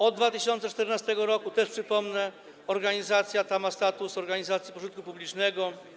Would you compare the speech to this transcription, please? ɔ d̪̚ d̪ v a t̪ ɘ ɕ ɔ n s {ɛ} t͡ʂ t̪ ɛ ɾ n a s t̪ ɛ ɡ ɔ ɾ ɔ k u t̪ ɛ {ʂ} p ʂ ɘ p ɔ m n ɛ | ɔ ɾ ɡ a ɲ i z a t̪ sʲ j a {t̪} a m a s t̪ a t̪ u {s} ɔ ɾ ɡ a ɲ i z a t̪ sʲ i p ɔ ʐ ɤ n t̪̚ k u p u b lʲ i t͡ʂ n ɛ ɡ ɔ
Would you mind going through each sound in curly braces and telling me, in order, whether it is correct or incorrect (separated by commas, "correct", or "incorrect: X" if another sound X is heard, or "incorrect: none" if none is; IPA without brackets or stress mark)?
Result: correct, correct, correct, correct